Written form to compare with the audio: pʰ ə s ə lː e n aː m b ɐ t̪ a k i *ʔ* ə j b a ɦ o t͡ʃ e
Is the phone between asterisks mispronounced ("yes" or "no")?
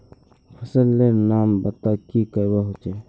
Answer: yes